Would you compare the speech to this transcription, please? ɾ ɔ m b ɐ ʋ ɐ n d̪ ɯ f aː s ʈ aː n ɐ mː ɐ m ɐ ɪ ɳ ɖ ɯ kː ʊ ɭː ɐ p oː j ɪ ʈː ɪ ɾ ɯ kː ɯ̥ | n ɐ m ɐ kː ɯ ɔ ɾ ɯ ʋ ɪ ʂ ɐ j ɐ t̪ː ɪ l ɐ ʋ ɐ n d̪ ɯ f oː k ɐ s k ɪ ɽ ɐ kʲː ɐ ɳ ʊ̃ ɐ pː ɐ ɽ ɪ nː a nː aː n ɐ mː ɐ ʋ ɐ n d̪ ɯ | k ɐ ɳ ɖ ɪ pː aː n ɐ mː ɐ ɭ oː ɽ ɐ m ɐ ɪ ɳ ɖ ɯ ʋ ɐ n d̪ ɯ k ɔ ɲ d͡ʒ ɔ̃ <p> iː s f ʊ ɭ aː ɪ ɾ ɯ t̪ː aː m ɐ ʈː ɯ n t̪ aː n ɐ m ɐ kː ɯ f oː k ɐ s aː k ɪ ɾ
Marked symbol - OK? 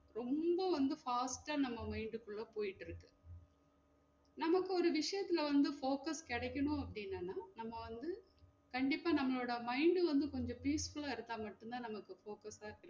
yes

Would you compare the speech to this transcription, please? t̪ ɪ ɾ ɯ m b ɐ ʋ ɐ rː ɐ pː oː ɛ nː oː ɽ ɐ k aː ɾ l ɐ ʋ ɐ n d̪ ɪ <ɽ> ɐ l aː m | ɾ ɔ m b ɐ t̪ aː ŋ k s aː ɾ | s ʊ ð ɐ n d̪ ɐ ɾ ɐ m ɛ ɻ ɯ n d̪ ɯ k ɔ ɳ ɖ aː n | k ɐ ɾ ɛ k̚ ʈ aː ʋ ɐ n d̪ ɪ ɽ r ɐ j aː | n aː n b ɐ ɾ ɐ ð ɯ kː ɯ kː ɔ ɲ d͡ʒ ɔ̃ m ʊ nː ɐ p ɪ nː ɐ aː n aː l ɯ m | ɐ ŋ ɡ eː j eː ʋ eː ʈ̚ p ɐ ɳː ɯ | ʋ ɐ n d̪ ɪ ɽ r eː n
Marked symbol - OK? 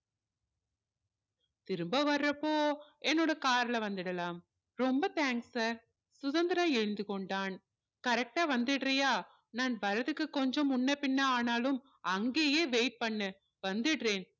yes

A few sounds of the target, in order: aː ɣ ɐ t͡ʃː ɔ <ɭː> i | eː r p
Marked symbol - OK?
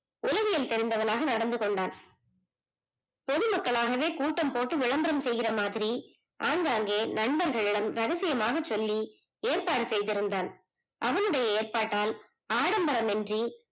no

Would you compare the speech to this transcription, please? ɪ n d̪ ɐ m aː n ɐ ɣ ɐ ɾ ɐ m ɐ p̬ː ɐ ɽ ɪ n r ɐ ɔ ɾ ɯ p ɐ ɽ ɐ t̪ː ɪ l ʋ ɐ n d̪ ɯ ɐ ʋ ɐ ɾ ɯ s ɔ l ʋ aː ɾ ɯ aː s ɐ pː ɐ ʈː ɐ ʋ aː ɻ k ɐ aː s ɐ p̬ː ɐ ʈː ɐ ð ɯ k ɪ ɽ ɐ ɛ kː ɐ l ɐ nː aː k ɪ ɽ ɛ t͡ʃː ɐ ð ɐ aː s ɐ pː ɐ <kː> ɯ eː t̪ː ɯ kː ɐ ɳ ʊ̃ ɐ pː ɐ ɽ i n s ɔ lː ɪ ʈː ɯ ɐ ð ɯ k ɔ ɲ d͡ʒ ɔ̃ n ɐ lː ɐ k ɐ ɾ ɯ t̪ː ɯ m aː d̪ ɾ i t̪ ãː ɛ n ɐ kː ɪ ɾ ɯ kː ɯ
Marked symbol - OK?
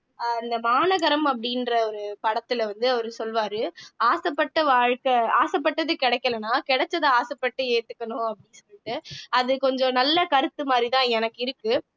no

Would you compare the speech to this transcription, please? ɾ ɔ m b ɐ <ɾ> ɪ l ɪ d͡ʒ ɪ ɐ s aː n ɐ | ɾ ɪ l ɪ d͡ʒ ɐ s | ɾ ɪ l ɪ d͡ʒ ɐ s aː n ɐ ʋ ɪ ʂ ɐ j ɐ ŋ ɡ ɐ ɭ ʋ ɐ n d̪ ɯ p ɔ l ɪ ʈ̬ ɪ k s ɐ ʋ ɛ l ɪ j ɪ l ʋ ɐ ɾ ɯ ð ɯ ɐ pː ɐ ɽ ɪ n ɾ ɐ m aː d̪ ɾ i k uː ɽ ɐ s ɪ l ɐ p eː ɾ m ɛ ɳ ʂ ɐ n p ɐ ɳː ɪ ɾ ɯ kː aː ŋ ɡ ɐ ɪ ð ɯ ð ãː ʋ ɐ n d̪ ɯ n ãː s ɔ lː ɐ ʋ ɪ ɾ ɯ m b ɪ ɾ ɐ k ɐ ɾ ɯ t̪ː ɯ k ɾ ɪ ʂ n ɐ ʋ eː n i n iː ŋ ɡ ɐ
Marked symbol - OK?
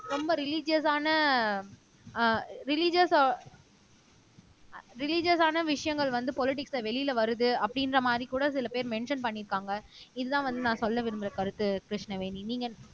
yes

